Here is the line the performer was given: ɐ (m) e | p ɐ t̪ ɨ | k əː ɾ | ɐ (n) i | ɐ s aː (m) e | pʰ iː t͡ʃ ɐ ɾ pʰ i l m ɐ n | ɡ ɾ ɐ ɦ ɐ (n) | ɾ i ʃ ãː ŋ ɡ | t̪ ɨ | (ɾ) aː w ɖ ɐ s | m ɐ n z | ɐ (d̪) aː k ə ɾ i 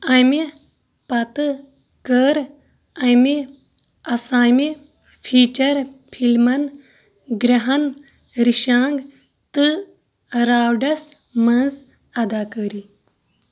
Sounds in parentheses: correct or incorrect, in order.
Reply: correct, incorrect, correct, correct, correct, correct

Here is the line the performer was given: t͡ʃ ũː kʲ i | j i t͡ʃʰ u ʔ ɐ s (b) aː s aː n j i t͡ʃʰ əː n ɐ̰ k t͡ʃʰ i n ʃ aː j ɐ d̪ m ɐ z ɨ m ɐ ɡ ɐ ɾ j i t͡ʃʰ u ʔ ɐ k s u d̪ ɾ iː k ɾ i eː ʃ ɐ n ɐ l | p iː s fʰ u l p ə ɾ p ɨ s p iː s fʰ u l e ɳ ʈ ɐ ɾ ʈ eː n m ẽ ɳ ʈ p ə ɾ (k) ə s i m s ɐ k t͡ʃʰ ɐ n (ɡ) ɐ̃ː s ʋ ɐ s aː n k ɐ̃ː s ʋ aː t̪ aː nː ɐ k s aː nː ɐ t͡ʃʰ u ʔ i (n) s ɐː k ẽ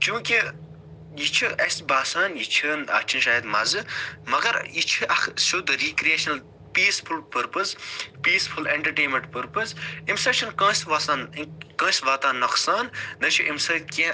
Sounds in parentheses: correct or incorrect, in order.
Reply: correct, incorrect, incorrect, incorrect

